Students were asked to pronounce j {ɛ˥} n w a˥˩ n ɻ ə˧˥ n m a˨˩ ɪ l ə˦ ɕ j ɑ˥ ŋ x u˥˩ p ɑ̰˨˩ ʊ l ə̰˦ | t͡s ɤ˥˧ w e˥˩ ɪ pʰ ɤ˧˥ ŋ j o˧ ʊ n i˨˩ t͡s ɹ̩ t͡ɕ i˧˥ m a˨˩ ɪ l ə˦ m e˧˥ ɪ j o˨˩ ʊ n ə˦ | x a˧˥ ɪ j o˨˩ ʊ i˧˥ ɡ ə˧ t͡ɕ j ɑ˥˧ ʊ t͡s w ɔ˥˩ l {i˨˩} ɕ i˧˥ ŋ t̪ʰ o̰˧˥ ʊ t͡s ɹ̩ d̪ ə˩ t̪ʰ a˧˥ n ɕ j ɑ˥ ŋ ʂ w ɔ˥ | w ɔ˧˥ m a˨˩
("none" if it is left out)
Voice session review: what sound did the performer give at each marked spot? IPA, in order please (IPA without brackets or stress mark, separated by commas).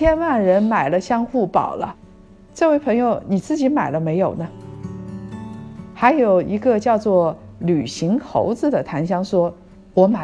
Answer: ɛ˥, y˨˩